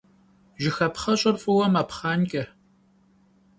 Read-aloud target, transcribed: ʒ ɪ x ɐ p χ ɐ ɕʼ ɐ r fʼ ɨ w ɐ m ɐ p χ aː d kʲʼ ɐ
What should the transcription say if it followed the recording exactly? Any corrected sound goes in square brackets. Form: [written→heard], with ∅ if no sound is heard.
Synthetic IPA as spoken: ʒ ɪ x ɐ p χ ɐ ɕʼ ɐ r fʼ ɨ w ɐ m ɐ p χ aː [d→n] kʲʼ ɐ